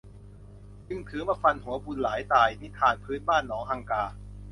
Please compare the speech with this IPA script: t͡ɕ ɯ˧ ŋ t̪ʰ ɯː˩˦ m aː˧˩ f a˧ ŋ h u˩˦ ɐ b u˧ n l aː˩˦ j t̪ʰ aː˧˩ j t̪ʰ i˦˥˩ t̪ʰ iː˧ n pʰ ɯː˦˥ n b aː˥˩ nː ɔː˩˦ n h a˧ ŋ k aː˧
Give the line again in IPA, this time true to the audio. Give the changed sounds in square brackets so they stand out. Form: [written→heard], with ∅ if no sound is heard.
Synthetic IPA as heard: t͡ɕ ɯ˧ ŋ t̪ʰ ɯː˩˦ m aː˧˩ f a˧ [ŋ→n] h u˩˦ ɐ b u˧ n l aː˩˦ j [t̪ʰ→t̪] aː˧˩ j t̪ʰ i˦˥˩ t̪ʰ [iː˧→aː˧] n pʰ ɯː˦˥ n b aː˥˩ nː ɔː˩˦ [n→ŋ] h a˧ ŋ k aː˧

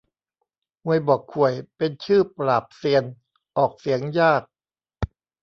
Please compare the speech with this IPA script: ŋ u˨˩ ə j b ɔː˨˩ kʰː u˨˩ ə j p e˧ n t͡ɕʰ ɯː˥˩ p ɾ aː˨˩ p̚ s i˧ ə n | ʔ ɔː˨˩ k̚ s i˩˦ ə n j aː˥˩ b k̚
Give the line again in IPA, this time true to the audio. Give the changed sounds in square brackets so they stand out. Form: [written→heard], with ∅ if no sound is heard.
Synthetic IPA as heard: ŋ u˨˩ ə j b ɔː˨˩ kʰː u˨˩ ə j p e˧ n t͡ɕʰ ɯː˥˩ p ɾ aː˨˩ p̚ s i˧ ə n | ʔ ɔː˨˩ k̚ s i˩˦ ə [n→ŋ] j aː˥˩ [b→∅] k̚

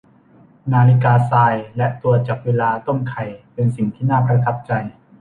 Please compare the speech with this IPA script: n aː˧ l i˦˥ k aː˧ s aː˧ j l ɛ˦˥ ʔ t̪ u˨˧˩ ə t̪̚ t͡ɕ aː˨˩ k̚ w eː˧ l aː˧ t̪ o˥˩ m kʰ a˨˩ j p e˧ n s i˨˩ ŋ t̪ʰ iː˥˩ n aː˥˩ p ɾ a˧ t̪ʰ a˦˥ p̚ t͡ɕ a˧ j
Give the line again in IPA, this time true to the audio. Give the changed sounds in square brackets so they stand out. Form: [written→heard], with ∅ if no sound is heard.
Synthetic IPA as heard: n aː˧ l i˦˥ k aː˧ s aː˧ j l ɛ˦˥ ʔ t̪ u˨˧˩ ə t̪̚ t͡ɕ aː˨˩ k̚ w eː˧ l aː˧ t̪ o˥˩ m kʰ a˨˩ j p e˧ n s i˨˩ ŋ t̪ʰ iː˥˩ n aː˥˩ p ɾ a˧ t̪ʰ a˦˥ p̚ t͡ɕ a˧ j

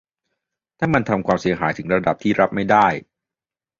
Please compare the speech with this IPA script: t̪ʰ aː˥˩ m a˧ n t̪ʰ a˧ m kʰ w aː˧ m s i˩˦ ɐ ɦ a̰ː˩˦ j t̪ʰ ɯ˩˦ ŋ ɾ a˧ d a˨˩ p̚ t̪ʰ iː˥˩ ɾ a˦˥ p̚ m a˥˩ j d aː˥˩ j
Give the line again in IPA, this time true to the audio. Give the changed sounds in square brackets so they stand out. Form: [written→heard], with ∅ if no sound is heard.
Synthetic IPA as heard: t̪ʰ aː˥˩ m a˧ n t̪ʰ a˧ m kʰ w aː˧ m s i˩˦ ɐ ɦ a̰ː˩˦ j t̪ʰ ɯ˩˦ ŋ ɾ a˧ d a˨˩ p̚ t̪ʰ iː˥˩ ɾ a˦˥ p̚ m a˥˩ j d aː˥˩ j

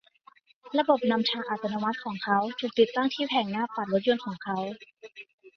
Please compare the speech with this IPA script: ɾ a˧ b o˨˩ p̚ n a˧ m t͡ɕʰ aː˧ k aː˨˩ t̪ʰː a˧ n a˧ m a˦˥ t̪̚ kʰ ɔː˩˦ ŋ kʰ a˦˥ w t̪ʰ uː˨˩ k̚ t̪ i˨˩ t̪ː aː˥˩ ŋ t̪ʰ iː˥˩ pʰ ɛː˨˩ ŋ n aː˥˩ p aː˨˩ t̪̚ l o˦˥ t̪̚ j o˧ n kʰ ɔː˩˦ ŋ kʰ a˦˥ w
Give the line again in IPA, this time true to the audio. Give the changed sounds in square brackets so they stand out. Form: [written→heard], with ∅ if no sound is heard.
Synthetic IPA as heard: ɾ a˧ b o˨˩ p̚ n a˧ m t͡ɕʰ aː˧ [k→ʔ] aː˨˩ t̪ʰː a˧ n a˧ m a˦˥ t̪̚ kʰ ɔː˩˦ ŋ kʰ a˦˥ w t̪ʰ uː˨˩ k̚ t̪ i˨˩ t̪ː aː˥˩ ŋ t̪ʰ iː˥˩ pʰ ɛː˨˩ ŋ n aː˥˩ p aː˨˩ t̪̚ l o˦˥ t̪̚ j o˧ n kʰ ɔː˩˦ ŋ kʰ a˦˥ w

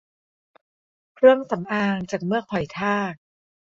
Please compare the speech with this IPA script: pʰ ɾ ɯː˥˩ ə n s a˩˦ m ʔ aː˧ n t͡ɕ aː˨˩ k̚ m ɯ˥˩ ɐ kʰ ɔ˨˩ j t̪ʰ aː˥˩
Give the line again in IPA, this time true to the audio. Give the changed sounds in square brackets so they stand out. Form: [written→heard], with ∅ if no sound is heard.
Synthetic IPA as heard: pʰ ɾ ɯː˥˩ ə [n→m] s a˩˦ m ʔ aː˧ [n→ŋ] t͡ɕ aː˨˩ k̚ m ɯ˥˩ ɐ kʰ ɔ˨˩ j t̪ʰ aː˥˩

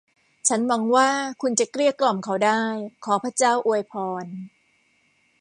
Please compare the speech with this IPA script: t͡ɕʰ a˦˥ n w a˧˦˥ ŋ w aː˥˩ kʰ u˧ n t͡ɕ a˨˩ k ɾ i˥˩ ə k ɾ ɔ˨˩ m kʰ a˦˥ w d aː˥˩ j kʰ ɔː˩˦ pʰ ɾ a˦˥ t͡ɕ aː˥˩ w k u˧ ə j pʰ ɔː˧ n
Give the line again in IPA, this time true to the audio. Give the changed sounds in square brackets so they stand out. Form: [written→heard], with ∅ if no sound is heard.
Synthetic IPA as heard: t͡ɕʰ a˦˥ n w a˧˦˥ ŋ w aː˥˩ kʰ u˧ n t͡ɕ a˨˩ k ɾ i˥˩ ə k [ɾ→l] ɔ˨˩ m kʰ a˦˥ w d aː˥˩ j kʰ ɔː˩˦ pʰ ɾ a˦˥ t͡ɕ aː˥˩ w [k→ʔ] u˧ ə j pʰ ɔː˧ n

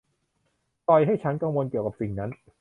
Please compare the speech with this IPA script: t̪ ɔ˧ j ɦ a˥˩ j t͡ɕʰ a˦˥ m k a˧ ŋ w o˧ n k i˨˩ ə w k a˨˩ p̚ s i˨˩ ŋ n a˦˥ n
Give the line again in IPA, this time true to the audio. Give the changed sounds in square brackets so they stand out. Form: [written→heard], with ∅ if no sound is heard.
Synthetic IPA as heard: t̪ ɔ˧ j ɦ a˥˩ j t͡ɕʰ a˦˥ [m→n] k a˧ ŋ w o˧ n k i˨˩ ə w k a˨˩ p̚ s i˨˩ ŋ n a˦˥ n

